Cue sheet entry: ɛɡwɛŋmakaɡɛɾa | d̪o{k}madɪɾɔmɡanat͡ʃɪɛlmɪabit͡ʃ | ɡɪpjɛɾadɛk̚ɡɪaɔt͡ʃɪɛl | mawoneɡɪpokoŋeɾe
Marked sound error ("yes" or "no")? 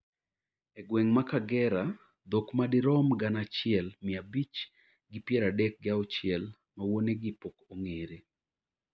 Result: no